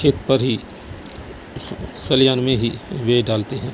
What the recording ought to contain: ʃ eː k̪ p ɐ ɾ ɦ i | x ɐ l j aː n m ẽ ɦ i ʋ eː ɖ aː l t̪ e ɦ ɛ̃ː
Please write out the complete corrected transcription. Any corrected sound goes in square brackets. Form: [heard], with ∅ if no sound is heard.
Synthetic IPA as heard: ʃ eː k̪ p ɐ ɾ ɦ i | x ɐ l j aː n m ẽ ɦ i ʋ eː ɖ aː l t̪ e ɦ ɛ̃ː